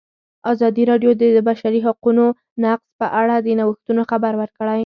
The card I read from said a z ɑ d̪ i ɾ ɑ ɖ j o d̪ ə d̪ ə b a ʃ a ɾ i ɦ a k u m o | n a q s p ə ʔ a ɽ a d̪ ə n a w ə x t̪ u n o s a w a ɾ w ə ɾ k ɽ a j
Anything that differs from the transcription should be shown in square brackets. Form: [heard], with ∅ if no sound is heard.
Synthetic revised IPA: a z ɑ d̪ i ɾ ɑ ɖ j o d̪ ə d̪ ə b a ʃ a ɾ i ɦ a [q] u [n] o | n a q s p ə ʔ a ɽ a d̪ ə n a w ə x t̪ u n o [x] a [b] a ɾ w ə ɾ k ɽ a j